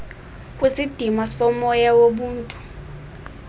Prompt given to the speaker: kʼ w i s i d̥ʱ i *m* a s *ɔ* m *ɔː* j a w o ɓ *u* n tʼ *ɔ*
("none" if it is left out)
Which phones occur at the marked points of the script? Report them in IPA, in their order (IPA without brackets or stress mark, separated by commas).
m, ɔ, ɔ, uː, u